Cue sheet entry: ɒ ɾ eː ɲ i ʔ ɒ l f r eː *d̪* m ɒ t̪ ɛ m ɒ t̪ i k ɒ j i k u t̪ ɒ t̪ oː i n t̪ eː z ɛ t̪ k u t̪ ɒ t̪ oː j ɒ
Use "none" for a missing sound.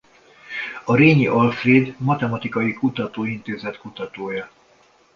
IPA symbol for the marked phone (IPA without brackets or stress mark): d̪